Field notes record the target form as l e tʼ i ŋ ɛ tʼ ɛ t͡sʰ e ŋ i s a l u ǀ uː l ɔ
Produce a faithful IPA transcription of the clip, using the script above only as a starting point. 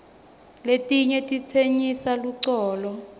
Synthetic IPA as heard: l e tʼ i ɲ ɛ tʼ i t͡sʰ e ɲ i s a l u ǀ ɔː l ɔ